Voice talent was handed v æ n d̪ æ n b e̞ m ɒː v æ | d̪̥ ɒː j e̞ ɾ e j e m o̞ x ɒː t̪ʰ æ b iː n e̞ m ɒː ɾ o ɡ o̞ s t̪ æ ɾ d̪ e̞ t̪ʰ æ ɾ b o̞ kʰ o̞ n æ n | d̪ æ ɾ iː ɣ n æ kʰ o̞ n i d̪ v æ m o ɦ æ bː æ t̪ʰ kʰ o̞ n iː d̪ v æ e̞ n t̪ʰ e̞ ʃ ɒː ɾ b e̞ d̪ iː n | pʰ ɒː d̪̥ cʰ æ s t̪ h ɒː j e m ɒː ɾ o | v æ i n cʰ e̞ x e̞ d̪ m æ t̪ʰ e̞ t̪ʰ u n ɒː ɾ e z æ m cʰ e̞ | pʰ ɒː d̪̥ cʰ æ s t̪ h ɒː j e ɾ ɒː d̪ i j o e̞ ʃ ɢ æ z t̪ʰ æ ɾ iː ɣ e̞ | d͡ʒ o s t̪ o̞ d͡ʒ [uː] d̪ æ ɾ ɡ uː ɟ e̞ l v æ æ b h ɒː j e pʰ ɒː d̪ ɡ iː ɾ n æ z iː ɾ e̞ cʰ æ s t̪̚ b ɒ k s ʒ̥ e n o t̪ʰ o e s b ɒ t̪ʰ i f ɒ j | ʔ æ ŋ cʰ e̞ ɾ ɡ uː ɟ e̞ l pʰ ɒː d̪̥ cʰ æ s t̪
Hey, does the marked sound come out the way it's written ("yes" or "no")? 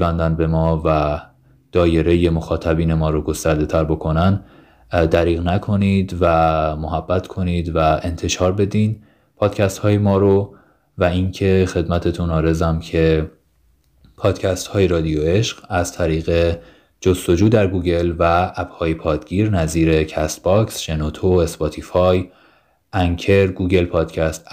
yes